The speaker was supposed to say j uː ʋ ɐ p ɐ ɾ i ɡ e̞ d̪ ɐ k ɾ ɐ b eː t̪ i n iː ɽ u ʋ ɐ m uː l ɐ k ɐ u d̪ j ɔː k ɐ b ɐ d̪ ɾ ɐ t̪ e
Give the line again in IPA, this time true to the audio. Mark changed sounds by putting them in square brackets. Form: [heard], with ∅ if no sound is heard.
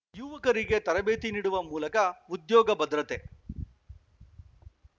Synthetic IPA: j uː ʋ ɐ [k] ɐ ɾ i ɡ e̞ [t̪] ɐ [∅] ɾ ɐ b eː t̪ i n iː ɽ u ʋ ɐ m uː l ɐ k ɐ u d̪ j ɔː [ɡ] ɐ b ɐ d̪ ɾ ɐ t̪ e